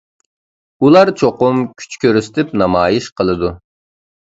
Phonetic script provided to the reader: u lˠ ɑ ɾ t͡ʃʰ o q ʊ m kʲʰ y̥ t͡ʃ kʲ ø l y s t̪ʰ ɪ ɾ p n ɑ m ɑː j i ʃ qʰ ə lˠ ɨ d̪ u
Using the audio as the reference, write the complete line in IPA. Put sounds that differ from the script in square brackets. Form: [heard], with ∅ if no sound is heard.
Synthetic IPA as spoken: u lˠ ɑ ɾ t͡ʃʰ o q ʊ m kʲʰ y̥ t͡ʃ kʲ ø [ɾ] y s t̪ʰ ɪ [∅] p n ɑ m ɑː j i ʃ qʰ ə lˠ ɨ d̪ u